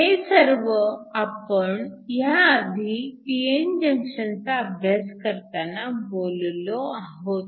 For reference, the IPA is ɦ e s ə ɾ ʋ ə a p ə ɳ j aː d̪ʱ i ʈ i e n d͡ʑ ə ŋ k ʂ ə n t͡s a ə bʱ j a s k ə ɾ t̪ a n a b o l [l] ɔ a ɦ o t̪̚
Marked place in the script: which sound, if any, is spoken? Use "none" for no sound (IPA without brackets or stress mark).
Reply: l